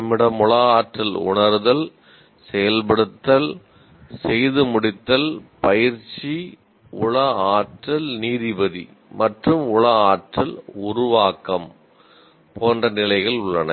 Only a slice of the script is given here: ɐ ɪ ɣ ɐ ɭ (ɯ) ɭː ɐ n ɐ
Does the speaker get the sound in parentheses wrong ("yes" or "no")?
yes